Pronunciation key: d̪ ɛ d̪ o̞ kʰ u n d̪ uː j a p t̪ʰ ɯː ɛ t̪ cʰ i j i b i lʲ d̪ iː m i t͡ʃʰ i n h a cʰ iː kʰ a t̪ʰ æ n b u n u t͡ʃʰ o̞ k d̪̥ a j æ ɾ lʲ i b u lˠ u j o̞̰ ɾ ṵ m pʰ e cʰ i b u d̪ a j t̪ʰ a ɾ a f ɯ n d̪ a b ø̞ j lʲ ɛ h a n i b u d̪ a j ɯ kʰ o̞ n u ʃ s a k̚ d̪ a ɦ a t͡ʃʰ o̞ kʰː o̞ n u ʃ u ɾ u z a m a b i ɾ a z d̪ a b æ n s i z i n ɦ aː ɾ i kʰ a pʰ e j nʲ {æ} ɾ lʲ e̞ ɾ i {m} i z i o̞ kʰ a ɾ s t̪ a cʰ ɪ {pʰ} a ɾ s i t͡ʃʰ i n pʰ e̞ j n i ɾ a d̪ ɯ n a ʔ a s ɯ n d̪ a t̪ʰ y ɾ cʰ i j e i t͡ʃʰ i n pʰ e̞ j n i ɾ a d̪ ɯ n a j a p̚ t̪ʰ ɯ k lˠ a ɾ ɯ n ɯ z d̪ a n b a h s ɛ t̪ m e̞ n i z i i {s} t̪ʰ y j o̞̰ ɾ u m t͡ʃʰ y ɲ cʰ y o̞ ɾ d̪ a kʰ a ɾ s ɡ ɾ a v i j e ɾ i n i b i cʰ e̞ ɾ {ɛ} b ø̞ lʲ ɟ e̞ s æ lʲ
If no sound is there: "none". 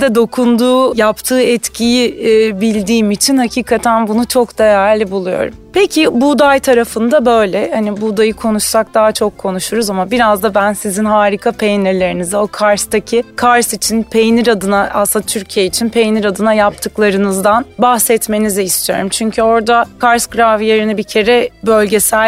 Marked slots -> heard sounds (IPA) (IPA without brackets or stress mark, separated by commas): i, n, kʰ, s, ɛ